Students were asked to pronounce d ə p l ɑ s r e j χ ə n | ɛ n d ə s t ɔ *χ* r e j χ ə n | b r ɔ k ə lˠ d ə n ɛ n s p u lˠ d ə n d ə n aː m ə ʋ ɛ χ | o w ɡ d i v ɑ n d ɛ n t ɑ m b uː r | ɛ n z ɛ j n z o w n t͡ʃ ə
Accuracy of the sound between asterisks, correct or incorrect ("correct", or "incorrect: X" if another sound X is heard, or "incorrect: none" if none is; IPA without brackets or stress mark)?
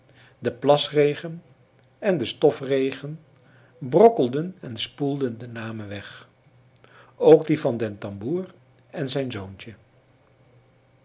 incorrect: f